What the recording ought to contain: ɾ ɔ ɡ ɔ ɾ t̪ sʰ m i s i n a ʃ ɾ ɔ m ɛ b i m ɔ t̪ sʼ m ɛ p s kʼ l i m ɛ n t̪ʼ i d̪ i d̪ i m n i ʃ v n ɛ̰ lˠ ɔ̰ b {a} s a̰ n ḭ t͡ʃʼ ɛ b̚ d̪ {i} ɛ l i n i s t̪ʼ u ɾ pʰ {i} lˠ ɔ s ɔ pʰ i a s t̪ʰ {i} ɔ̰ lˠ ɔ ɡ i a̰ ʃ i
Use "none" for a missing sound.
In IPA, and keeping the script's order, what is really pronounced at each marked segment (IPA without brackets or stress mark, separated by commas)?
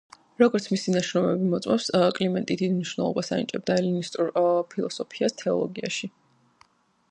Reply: a, a, i, ɛ